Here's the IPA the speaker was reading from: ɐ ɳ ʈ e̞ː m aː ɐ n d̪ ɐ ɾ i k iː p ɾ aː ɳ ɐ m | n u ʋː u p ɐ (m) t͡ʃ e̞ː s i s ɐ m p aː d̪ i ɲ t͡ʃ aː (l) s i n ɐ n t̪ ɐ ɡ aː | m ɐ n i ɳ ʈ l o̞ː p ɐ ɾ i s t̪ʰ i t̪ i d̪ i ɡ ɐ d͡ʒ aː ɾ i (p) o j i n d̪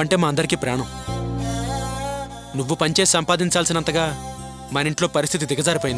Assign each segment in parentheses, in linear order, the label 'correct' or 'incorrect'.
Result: incorrect, correct, correct

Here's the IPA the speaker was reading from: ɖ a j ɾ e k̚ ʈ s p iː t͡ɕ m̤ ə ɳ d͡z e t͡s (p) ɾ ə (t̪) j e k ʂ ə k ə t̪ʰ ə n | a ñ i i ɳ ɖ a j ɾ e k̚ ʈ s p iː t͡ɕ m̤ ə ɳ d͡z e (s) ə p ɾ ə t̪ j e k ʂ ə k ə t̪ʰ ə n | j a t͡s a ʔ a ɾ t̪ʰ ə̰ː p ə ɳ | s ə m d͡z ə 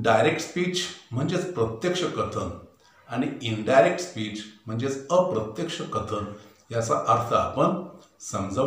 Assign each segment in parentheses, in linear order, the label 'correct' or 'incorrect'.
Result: correct, correct, incorrect

